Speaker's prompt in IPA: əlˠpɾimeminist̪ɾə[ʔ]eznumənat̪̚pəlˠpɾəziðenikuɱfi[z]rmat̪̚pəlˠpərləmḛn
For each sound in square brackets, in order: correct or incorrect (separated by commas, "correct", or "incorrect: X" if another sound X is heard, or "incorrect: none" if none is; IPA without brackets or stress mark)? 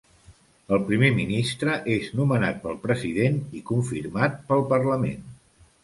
correct, incorrect: none